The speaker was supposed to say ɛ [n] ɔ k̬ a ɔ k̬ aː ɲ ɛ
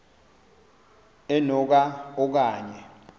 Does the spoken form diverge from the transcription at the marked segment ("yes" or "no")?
no